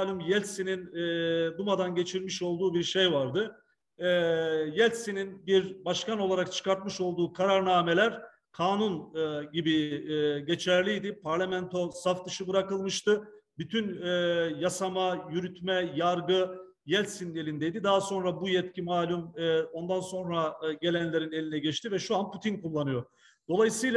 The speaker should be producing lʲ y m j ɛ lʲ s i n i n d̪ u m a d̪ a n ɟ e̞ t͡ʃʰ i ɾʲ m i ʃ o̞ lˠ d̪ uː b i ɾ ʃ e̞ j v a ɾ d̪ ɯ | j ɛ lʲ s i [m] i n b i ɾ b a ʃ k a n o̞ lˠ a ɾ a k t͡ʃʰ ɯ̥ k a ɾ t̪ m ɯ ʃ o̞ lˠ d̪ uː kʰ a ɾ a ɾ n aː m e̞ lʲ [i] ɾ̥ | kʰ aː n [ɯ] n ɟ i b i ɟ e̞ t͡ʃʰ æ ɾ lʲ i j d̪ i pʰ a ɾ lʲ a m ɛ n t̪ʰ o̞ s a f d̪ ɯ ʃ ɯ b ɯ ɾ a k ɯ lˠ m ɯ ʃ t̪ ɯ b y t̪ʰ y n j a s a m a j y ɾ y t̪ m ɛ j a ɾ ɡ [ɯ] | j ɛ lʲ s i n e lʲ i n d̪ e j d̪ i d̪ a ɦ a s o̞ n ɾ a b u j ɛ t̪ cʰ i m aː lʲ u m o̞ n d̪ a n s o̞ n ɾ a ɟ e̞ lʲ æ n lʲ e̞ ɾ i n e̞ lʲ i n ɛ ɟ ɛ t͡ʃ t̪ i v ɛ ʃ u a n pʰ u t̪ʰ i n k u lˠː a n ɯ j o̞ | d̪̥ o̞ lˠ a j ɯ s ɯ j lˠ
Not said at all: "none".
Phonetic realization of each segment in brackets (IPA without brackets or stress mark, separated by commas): n, æ, u, ɯ